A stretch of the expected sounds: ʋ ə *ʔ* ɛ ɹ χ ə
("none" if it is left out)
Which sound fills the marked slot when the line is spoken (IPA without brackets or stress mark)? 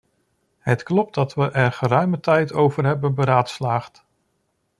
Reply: ʔ